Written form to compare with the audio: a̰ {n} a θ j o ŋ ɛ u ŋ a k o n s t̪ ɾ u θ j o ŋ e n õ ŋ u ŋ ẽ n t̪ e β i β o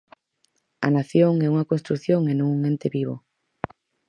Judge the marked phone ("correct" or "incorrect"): correct